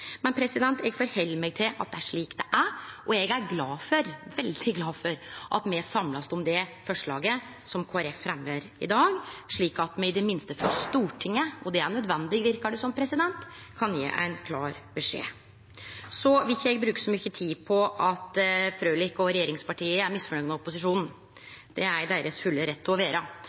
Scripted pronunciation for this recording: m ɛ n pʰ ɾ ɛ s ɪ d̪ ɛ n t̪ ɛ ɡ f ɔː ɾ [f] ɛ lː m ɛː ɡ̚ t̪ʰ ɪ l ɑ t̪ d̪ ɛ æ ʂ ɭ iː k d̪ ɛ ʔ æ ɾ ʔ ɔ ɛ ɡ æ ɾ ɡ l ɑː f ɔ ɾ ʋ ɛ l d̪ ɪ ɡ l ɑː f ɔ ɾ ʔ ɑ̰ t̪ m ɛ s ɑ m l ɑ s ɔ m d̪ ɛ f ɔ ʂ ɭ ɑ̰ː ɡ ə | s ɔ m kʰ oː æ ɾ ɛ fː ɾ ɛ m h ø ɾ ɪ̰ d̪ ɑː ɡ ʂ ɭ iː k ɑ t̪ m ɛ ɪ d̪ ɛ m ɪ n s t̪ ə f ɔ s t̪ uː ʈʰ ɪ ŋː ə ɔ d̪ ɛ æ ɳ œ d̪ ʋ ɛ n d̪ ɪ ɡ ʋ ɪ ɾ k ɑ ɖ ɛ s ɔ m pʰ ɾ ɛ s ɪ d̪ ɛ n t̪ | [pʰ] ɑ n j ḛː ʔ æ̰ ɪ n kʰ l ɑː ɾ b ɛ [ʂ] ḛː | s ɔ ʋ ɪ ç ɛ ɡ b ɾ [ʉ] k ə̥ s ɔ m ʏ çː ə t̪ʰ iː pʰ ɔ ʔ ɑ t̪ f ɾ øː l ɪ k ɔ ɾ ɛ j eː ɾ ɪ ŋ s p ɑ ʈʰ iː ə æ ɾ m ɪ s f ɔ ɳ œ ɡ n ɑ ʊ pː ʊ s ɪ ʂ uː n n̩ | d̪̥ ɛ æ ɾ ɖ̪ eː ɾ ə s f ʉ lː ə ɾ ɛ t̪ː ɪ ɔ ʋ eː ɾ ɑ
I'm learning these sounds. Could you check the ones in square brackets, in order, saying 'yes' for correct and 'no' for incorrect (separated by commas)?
no, no, yes, no